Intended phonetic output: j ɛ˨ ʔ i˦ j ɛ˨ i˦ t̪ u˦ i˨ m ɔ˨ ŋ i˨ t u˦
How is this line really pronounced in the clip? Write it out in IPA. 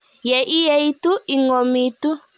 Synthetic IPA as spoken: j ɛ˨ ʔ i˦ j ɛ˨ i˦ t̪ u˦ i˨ ŋ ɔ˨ m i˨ t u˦